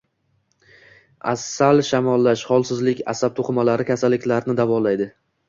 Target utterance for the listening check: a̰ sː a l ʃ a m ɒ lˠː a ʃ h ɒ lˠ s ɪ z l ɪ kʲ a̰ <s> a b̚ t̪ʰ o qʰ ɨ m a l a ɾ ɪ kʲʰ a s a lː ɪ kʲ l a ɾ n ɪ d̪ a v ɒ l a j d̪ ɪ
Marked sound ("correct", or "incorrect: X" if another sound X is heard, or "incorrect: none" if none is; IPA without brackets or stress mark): correct